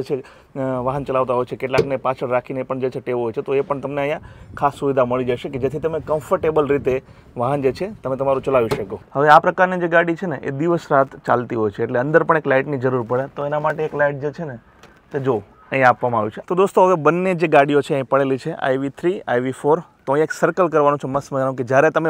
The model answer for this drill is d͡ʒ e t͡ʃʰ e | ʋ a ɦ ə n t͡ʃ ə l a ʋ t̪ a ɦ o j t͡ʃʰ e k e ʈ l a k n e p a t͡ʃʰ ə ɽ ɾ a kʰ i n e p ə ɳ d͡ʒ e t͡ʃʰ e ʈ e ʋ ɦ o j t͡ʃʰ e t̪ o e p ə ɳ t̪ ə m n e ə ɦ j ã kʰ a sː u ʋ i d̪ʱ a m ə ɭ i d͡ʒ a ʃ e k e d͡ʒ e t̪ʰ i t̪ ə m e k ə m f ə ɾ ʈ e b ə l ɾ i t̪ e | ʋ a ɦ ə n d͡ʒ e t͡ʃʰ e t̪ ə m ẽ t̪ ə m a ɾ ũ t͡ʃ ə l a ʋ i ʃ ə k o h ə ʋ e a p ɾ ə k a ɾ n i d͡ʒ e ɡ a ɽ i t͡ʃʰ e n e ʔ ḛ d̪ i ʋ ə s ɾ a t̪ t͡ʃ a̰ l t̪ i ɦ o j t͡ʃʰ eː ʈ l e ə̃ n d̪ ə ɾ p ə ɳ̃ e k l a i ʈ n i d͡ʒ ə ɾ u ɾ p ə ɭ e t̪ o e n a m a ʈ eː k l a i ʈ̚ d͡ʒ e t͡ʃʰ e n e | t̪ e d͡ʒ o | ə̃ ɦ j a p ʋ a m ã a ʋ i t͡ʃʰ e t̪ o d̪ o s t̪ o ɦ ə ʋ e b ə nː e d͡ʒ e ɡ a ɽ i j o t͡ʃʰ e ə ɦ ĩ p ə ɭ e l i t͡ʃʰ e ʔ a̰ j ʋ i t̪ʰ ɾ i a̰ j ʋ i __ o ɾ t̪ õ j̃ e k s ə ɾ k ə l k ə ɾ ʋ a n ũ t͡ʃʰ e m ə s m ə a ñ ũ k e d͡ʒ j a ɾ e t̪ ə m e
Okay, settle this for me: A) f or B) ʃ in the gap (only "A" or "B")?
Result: A